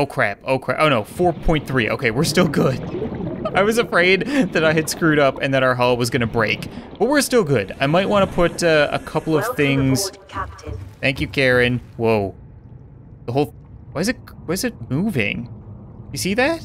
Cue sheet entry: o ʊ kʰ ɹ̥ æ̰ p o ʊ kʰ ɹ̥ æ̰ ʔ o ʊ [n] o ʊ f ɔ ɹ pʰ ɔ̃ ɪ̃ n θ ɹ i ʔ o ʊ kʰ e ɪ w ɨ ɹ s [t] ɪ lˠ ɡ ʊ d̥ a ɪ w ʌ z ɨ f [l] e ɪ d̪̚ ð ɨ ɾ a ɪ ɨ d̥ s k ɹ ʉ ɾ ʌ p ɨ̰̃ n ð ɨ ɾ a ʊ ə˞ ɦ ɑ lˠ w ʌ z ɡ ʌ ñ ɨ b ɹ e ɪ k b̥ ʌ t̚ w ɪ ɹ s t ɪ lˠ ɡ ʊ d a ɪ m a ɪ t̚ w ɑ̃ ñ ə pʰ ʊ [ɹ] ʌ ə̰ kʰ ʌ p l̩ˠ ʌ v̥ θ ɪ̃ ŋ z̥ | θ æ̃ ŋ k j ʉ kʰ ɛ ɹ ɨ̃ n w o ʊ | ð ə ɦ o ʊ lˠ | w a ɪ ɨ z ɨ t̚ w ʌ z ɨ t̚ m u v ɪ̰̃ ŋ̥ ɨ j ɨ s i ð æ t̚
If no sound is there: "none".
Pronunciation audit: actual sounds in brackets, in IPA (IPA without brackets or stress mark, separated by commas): n, t, ɹ, ɾ